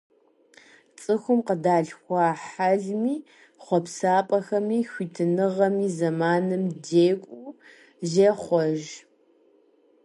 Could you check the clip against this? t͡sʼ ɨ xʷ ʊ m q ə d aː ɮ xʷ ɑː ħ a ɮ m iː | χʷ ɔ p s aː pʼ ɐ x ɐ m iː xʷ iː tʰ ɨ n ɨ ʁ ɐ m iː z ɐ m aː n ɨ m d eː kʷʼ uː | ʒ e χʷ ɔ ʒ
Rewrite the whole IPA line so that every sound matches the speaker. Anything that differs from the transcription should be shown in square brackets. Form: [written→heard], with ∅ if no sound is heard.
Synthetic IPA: t͡sʼ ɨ xʷ ʊ m q ə d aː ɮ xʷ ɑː ħ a ɮ m iː | χʷ ɔ p s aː pʼ ɐ x ɐ m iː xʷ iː tʰ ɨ n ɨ ʁ ɐ m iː z ɐ m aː n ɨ m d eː kʷʼ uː | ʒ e χʷ ɔ ʒ